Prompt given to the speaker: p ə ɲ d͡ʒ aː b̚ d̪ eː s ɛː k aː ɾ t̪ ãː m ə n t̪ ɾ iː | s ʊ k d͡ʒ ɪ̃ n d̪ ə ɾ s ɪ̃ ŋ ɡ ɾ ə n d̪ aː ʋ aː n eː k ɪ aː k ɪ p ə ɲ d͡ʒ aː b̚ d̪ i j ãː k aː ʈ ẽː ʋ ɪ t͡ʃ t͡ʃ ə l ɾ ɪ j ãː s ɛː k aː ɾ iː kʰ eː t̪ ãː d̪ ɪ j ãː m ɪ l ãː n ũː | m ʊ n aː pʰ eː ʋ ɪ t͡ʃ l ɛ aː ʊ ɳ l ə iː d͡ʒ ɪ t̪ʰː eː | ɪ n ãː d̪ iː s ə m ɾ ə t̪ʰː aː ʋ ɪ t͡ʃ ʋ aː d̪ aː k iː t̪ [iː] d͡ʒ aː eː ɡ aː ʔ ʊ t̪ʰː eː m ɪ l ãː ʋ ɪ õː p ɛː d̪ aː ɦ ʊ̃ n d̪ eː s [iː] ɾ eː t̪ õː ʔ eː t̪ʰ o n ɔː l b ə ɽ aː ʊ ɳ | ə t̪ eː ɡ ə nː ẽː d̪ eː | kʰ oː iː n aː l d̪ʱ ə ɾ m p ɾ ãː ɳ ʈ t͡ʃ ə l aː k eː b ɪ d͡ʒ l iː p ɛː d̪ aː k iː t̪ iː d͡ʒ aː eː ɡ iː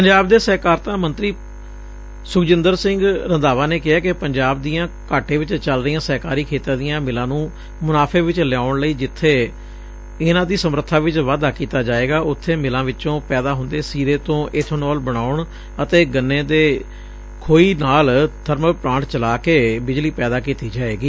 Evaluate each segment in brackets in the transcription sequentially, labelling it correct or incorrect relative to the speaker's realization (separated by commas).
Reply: incorrect, correct